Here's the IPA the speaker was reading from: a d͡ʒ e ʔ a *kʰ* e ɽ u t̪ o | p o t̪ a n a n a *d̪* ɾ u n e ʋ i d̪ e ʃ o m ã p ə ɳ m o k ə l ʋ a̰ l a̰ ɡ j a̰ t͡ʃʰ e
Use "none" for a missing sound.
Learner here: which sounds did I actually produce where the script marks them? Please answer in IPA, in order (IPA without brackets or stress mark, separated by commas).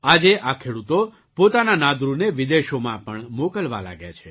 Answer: kʰ, d̪